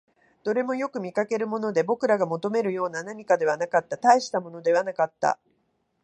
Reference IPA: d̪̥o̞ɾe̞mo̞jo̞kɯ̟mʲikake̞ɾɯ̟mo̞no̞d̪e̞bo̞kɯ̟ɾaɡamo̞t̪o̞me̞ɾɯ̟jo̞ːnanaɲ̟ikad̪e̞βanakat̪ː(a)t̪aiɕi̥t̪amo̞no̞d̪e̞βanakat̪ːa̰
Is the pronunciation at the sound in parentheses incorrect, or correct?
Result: correct